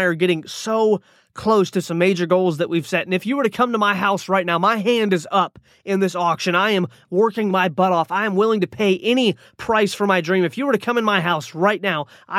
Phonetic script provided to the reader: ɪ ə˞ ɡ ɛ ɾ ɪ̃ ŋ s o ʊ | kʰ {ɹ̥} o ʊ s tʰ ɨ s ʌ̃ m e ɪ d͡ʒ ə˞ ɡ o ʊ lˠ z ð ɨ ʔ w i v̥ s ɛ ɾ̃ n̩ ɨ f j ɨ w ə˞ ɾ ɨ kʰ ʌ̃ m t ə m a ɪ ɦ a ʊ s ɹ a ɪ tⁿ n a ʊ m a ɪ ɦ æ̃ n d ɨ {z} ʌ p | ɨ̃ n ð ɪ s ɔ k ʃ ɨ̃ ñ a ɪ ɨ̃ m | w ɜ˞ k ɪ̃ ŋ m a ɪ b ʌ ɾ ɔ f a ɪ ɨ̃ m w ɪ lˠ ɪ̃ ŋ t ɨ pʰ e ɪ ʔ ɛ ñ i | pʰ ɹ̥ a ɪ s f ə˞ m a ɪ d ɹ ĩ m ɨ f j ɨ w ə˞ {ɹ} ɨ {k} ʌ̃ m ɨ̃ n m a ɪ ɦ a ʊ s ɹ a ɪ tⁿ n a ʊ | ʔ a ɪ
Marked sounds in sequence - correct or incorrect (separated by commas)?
incorrect, correct, incorrect, incorrect